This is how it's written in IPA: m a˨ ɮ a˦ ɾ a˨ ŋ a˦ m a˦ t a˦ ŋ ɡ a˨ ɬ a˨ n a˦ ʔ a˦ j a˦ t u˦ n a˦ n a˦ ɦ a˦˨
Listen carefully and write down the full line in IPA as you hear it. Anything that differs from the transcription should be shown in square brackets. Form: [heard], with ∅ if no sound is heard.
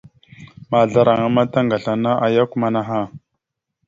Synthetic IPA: m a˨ ɮ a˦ ɾ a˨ ŋ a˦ m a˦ t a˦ ŋ ɡ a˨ ɬ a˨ n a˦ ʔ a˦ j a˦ [k] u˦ [m] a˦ n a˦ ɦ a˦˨